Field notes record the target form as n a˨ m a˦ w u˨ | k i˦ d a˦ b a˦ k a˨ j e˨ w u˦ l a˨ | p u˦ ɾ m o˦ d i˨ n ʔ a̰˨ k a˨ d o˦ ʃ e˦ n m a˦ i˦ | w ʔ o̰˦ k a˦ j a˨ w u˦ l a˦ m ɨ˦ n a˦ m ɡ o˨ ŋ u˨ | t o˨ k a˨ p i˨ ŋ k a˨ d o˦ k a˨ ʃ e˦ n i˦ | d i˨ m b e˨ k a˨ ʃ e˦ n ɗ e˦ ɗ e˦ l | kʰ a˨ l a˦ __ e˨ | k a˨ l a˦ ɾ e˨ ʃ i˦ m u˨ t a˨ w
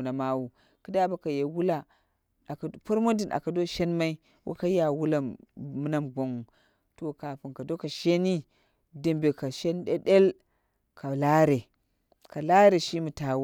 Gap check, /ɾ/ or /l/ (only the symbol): ɾ